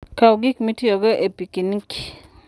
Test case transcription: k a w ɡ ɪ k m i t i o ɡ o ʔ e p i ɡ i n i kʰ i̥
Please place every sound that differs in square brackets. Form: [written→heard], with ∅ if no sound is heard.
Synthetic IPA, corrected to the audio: k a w ɡ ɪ k m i t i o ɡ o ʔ e p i [ɡ→k] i n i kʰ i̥